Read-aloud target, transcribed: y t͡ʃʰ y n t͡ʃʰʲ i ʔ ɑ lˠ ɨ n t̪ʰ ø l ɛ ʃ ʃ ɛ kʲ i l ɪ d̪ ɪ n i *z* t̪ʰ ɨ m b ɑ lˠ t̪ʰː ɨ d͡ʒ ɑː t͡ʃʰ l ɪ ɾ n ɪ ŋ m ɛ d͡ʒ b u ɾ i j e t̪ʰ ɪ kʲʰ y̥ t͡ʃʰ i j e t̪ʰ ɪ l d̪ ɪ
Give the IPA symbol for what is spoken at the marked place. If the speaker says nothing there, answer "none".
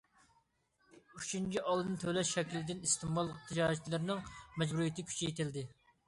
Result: s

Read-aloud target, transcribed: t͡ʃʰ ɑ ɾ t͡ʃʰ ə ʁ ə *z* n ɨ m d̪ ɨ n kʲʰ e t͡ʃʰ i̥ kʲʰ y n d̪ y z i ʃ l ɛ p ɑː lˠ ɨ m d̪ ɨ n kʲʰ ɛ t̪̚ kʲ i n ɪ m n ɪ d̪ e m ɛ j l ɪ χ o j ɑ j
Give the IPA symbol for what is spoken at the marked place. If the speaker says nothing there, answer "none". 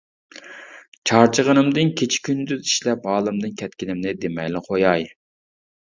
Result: none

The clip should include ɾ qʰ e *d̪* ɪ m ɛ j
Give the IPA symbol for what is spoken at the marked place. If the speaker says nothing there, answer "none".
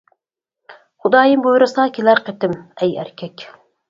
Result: t̪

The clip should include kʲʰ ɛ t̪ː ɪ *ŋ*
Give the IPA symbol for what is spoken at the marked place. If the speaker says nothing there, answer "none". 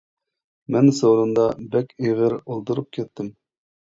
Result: m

